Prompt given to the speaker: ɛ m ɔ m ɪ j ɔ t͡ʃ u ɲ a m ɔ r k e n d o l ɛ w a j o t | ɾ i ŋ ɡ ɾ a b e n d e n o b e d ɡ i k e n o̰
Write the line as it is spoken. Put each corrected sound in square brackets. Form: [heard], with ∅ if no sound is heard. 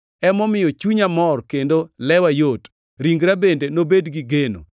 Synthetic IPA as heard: ɛ m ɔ m ɪ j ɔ t͡ʃ u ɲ a m ɔ r k e n d o l ɛ w a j o t | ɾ i ŋ ɡ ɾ a b e n d e n o b e d ɡ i [ɡ] e n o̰